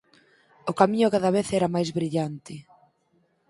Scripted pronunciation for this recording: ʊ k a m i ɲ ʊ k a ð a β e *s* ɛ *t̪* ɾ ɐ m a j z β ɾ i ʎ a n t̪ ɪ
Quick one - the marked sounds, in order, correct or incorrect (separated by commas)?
incorrect, incorrect